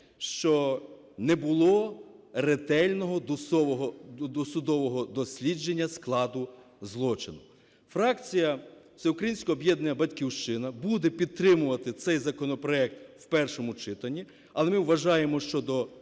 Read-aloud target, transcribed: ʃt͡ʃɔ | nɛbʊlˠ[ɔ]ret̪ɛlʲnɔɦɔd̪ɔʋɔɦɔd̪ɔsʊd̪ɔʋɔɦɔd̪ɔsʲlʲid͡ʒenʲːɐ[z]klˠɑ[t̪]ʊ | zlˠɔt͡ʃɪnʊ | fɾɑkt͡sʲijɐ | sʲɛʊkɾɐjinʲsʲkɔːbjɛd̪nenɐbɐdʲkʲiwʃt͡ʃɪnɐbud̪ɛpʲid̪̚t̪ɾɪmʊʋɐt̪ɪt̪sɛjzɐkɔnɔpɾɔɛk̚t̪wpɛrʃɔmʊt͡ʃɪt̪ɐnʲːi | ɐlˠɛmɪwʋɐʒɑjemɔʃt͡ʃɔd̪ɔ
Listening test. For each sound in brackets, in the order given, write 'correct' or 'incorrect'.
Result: correct, incorrect: s, incorrect: d̪

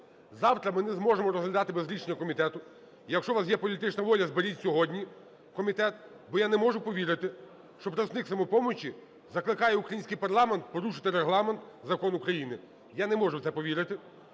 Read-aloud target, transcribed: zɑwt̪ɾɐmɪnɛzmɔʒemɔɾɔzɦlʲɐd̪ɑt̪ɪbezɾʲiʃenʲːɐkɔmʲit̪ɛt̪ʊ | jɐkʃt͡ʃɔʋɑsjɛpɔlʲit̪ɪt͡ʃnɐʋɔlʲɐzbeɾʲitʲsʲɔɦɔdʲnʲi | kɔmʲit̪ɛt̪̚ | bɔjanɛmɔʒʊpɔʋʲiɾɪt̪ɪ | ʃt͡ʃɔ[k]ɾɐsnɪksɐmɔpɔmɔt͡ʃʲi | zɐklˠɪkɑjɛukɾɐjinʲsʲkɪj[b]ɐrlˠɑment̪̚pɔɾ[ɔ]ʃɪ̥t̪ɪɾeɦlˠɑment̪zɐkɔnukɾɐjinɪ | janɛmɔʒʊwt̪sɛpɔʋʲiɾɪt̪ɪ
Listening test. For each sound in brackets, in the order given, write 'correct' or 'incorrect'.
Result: incorrect: p, incorrect: p, incorrect: u

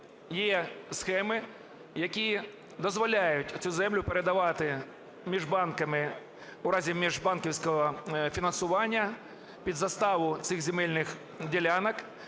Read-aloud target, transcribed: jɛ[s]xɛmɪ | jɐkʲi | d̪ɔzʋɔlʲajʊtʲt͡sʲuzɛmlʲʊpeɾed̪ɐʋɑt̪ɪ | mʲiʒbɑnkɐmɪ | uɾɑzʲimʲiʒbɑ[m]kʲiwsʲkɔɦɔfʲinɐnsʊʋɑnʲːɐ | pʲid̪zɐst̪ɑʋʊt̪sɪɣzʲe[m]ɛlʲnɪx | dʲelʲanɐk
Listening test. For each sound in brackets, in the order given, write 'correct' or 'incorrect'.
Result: correct, incorrect: n, correct

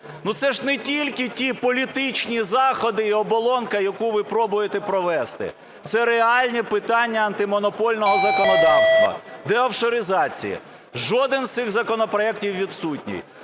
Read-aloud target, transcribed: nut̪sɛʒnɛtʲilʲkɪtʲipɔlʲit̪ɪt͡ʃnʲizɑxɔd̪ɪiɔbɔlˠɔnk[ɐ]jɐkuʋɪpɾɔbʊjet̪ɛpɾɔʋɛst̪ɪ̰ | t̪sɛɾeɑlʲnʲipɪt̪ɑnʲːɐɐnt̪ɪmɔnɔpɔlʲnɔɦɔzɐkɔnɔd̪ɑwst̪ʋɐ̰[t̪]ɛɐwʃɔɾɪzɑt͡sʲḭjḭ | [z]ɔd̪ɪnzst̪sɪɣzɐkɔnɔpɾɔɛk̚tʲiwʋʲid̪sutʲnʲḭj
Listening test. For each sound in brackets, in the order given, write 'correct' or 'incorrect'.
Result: correct, incorrect: d̪, incorrect: ʒ

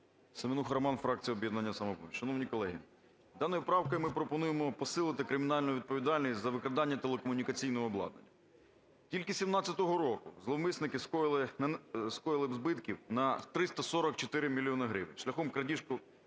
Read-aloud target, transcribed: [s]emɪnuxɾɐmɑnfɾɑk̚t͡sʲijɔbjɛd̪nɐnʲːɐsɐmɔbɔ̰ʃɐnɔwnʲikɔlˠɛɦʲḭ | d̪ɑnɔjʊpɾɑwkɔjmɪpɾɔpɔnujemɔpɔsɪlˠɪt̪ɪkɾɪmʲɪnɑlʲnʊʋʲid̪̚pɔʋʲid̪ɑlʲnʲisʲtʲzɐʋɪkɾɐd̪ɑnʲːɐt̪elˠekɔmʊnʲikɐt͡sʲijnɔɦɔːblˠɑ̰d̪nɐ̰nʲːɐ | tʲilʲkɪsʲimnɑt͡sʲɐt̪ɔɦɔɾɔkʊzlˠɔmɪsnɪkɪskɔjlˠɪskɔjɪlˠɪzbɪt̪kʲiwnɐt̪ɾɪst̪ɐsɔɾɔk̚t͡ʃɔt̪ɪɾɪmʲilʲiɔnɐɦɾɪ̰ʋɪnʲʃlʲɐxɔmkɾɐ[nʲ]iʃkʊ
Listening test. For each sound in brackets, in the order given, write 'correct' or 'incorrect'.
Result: correct, incorrect: dʲ

